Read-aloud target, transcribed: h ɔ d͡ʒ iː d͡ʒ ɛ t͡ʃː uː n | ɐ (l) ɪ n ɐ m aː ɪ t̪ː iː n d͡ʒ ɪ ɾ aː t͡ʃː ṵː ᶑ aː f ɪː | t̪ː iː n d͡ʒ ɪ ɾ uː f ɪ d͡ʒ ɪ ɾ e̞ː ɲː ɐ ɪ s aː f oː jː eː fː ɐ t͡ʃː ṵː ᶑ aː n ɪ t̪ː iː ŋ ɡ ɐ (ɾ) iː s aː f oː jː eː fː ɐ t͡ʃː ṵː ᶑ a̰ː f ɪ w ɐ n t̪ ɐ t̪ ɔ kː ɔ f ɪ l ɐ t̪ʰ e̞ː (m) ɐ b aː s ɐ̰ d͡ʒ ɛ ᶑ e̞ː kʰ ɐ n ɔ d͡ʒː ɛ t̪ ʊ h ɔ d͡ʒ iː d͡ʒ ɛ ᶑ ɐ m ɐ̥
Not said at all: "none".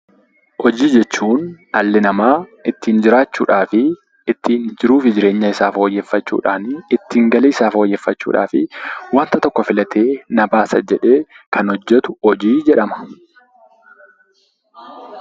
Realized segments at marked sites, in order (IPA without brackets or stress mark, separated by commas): lː, l, n